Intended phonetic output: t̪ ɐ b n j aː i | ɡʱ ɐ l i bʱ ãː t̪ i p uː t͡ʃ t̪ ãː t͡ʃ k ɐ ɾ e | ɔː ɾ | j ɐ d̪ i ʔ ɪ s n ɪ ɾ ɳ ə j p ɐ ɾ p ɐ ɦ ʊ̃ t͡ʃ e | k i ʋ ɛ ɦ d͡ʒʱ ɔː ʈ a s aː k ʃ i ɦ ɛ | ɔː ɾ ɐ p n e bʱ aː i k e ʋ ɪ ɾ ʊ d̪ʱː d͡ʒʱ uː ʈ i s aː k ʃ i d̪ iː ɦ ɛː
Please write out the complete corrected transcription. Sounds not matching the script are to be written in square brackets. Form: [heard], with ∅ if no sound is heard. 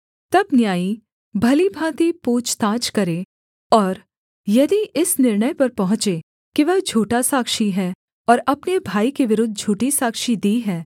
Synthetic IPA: t̪ ɐ b n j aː i | [bʱ] ɐ l i bʱ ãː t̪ i p uː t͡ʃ t̪ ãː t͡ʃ k ɐ ɾ e | ɔː ɾ | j ɐ d̪ i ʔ ɪ s n ɪ ɾ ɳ ə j p ɐ ɾ p ɐ ɦ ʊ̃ t͡ʃ e | k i ʋ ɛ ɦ d͡ʒʱ [uː] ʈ a s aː k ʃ i ɦ ɛ | ɔː ɾ ɐ p n e bʱ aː i k e ʋ ɪ ɾ ʊ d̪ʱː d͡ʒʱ uː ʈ i s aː k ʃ i d̪ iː ɦ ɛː